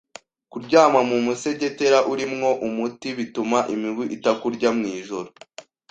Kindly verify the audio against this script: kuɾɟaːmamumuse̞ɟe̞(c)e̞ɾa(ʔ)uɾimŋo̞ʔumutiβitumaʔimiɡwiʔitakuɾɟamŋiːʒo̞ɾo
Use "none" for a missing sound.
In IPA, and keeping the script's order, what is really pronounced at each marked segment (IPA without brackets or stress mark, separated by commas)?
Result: t, ʔ